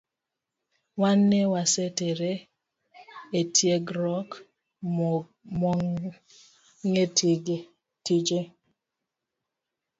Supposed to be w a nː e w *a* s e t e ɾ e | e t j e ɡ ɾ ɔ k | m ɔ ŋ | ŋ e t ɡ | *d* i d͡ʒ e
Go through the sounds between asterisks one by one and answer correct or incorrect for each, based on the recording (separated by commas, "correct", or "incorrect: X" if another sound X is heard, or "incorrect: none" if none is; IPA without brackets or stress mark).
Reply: correct, incorrect: t